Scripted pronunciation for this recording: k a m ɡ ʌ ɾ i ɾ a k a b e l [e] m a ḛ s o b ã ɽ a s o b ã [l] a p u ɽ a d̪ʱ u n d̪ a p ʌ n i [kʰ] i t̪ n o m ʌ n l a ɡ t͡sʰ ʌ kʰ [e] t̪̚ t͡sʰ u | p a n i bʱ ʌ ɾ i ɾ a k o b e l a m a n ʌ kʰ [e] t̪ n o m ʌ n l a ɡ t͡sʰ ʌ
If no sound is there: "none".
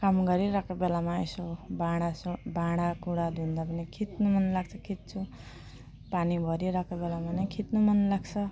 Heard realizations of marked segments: a, ɽ, kʰ, i, i

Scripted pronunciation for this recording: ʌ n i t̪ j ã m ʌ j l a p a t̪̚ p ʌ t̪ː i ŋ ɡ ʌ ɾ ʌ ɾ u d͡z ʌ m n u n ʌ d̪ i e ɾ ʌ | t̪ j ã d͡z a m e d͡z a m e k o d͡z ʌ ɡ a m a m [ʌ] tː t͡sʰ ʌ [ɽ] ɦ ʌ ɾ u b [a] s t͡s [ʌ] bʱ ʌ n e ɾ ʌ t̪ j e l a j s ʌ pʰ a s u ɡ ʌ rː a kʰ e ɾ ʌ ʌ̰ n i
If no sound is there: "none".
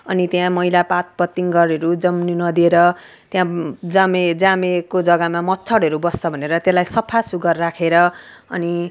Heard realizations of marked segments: ʌ, ɽ, ʌ, ʌ

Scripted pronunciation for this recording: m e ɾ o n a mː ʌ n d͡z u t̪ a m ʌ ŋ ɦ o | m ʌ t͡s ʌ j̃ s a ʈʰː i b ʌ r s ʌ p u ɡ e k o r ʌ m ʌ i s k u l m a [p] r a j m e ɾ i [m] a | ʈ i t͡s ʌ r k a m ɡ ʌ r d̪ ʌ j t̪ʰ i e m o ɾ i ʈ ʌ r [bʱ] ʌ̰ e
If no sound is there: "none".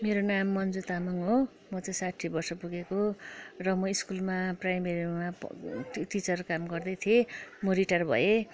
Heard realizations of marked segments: p, m, bʱ

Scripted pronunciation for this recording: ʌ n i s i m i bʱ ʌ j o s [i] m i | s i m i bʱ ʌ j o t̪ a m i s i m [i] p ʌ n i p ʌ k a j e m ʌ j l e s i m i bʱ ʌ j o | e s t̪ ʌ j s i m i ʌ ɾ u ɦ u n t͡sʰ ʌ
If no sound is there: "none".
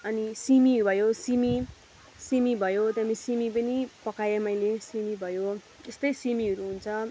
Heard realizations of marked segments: i, i

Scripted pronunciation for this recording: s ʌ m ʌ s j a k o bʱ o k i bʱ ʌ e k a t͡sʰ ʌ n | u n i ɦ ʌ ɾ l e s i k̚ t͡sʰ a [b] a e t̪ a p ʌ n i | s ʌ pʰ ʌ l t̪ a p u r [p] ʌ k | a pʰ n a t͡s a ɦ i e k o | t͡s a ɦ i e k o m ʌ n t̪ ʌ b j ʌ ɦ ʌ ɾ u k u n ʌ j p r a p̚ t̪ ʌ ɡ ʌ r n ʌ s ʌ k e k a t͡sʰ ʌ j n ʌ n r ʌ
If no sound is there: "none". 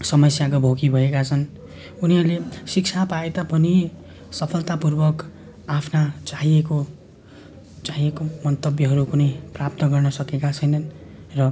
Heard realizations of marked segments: p, b

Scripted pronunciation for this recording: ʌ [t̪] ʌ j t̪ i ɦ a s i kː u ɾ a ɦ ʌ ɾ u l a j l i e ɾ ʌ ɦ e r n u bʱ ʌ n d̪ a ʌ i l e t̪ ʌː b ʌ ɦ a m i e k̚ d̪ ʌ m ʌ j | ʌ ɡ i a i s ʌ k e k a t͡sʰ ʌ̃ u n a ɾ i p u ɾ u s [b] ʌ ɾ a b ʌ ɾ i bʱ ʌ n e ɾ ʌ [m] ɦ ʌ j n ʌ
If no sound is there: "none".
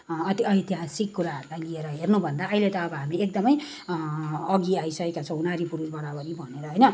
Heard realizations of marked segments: t̪, b, none

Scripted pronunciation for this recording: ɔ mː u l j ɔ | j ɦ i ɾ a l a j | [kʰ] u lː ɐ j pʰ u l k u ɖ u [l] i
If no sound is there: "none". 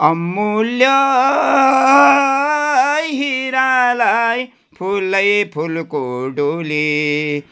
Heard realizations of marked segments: pʰ, l

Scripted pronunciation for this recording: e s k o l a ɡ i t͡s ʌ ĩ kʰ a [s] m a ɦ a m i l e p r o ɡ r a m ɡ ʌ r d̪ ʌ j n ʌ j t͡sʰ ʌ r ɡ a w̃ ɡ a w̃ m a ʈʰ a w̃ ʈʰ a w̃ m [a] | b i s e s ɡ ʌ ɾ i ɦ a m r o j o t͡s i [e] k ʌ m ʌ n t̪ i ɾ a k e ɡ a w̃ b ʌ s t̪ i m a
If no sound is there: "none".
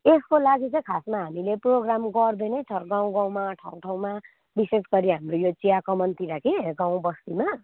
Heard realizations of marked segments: s, a, a

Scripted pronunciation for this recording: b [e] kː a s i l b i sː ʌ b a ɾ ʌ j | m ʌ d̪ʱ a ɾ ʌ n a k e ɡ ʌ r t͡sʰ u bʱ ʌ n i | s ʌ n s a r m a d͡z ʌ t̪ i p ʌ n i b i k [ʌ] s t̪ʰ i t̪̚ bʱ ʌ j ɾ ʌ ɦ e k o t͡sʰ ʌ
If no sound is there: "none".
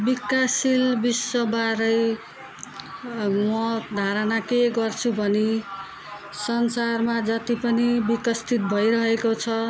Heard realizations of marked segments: i, ʌ

